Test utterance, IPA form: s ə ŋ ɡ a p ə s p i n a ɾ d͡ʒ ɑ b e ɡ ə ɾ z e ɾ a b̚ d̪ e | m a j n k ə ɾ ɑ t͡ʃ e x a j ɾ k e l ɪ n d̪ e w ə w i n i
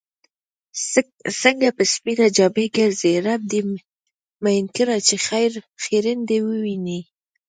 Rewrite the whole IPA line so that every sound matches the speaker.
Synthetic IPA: s ə ŋ ɡ a p ə s p i n a d͡ʒ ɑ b e ɡ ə ɾ z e ɾ a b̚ d̪ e | m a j n k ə ɾ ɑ t͡ʃ e x a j ɾ x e ɾ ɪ n d̪ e w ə w i n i